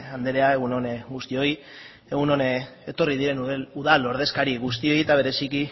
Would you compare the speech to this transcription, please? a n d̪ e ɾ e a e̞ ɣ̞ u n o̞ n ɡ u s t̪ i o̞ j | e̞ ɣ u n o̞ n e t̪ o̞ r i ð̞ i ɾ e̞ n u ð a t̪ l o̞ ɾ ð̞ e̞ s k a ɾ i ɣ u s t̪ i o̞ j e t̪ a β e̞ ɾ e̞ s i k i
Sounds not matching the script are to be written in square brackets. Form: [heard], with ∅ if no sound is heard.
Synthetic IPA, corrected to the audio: a n d̪ e ɾ e a e̞ ɣ̞ u n o̞ n ɡ u s t̪ i o̞ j | e̞ ɣ u n o̞ n e t̪ o̞ r i ð̞ i ɾ e̞ n u ð a [∅] l o̞ ɾ ð̞ e̞ s k a ɾ i ɣ u s t̪ i o̞ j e t̪ a β e̞ ɾ e̞ s i k i